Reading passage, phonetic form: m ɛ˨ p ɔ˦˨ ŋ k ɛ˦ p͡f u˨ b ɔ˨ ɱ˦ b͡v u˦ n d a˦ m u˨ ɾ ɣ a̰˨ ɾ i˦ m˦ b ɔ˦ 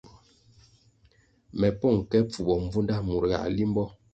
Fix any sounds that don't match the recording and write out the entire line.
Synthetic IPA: m ɛ˨ p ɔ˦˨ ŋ k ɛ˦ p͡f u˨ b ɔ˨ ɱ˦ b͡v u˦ n d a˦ m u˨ ɾ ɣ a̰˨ l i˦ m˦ b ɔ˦